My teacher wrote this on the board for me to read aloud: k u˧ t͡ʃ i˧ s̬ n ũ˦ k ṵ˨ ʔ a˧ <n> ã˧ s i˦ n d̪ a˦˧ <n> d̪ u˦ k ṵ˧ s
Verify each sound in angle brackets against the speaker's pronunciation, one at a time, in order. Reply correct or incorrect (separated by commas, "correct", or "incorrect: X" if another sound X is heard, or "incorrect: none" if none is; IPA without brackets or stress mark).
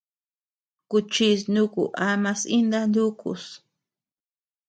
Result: incorrect: m, correct